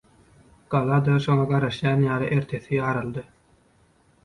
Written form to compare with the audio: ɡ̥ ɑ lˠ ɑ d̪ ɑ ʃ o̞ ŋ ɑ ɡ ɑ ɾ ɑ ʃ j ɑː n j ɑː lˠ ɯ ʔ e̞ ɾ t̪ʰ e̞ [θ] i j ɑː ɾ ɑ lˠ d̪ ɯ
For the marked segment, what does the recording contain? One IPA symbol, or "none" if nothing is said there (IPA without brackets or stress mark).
θ